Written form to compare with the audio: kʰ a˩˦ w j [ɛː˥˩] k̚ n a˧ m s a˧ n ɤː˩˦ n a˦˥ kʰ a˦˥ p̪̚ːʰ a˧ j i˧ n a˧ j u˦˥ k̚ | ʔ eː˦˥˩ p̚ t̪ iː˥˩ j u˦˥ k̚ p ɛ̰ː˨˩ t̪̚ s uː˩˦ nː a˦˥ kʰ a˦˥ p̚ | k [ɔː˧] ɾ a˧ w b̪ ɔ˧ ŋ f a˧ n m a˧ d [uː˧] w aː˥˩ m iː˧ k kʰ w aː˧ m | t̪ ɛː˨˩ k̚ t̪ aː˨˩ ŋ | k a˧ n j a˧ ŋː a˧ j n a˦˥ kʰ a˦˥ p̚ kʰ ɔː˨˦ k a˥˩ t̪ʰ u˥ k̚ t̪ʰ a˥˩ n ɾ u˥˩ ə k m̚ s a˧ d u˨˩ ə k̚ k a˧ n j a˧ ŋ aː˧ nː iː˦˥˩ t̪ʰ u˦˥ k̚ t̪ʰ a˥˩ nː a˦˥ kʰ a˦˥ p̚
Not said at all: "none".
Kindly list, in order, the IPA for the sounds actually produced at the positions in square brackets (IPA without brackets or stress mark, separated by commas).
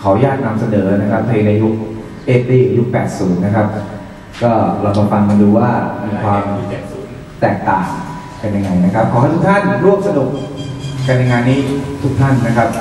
aː˥˩, ɔː˥˩, uː˧